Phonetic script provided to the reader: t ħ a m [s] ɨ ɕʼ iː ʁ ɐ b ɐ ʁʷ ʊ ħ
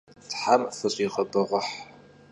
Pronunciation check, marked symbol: incorrect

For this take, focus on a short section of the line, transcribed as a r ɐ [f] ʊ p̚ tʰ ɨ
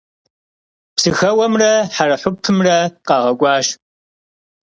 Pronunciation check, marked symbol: incorrect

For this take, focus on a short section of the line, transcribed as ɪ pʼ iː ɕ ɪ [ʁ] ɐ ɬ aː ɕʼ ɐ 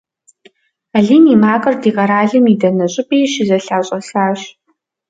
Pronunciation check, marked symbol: incorrect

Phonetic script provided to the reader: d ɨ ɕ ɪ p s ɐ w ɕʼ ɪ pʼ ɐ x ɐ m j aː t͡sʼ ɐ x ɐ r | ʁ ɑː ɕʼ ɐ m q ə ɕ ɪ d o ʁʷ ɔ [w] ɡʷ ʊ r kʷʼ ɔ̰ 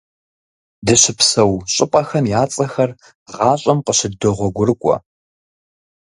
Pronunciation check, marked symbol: incorrect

